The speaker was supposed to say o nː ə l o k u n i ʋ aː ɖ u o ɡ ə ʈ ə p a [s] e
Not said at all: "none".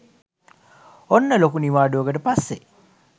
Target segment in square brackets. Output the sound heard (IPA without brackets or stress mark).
sː